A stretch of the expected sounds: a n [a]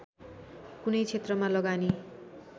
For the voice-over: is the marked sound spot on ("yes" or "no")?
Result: no